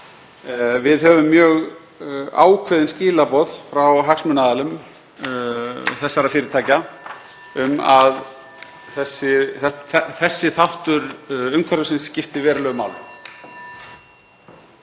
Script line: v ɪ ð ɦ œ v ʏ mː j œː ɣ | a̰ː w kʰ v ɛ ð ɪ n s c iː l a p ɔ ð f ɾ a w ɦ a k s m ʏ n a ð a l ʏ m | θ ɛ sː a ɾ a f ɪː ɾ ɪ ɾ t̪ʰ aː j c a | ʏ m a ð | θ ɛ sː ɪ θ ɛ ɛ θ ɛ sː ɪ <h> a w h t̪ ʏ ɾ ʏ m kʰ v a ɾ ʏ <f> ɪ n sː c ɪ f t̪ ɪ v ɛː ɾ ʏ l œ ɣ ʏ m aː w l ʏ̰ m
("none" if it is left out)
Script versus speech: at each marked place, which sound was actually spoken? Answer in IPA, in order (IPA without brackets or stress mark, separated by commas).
θ, s